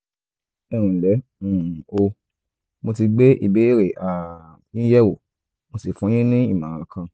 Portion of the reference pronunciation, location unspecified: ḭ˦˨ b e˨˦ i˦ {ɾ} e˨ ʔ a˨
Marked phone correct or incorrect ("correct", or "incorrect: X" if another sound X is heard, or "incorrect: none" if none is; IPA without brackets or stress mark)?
correct